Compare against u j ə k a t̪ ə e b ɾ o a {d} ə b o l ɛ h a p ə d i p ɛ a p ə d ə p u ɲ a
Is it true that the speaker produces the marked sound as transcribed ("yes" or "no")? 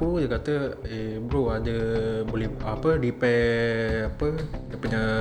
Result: yes